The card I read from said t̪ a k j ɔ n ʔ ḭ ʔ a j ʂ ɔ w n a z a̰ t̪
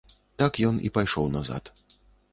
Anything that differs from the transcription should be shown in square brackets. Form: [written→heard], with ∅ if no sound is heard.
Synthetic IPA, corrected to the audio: t̪ a k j ɔ n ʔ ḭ [ʔ→p] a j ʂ ɔ w n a z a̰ t̪